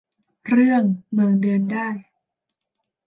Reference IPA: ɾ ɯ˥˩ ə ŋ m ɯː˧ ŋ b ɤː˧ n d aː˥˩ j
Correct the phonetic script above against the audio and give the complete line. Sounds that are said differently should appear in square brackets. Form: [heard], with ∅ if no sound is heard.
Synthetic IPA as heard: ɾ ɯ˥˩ ə ŋ m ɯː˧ ŋ [d] ɤː˧ n d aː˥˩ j